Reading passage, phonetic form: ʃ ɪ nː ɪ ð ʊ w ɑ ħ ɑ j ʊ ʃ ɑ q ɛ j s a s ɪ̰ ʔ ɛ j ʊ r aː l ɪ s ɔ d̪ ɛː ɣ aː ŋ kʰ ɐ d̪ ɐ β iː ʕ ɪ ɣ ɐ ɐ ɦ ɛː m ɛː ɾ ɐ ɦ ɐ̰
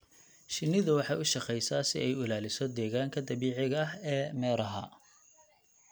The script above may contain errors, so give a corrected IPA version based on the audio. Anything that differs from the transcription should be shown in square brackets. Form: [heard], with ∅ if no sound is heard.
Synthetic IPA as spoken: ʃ ɪ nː ɪ ð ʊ w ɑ ħ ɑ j ʊ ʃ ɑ q ɛ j s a s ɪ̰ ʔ ɛ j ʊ [l] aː l ɪ s ɔ d̪ ɛː ɣ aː ŋ kʰ ɐ d̪ ɐ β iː ʕ ɪ ɣ ɐ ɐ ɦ ɛː m ɛː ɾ ɐ ɦ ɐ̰